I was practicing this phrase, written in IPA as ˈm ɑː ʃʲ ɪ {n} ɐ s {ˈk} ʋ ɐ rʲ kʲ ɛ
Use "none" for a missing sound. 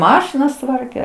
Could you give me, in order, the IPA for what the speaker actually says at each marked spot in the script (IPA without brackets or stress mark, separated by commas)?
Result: n, t